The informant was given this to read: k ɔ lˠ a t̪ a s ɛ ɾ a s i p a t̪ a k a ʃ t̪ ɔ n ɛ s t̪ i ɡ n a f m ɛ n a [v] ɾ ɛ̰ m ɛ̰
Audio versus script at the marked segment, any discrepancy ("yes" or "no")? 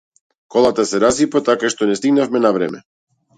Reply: no